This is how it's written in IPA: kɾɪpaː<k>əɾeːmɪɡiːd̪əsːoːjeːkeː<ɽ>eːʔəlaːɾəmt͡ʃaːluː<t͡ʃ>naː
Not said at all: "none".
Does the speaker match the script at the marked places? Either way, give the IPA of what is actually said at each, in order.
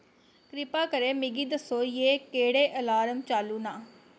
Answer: k, ɽ, none

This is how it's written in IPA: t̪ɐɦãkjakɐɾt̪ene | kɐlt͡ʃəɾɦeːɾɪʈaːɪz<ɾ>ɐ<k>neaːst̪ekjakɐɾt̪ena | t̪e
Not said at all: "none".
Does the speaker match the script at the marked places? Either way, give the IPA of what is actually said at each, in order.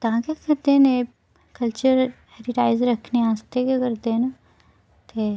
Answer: ɾ, kʰ

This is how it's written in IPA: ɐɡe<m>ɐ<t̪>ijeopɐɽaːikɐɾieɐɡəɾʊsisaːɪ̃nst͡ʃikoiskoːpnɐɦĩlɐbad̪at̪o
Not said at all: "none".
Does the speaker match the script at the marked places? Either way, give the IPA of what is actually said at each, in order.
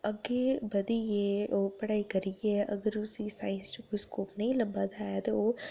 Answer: b, d̪

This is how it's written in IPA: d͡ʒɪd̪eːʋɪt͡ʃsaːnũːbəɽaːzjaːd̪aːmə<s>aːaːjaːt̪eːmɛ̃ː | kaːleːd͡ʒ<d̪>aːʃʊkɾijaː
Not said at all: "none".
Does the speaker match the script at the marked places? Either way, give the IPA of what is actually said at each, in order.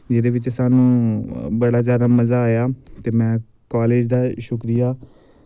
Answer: z, d̪

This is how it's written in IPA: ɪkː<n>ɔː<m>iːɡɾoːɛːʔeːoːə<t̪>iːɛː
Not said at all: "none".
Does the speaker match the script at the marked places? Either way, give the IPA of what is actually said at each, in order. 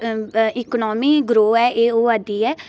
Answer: n, m, d̪

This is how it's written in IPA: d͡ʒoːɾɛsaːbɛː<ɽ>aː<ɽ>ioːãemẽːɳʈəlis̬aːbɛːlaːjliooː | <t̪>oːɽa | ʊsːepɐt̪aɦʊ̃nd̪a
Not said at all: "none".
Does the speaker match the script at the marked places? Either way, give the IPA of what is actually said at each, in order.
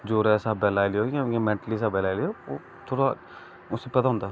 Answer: l, l, t̪ʰ

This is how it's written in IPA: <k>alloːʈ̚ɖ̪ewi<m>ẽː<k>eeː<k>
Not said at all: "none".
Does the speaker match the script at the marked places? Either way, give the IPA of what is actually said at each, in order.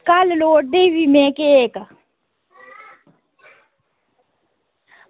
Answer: k, m, k, k

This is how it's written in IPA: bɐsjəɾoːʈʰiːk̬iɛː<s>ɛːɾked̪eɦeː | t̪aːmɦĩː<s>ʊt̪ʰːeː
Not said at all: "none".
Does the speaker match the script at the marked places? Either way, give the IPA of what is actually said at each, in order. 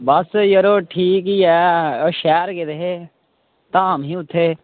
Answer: ʃ, none

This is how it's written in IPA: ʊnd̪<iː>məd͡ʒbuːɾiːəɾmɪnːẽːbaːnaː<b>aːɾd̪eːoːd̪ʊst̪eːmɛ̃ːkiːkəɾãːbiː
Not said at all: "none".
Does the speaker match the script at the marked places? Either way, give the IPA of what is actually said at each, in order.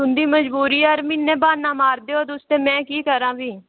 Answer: iː, m

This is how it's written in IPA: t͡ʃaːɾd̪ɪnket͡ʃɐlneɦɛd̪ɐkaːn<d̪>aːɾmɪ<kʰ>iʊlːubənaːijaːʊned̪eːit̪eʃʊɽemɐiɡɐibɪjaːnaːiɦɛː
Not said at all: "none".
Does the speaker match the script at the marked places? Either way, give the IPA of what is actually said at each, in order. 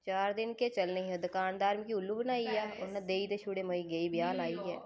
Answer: d̪, k

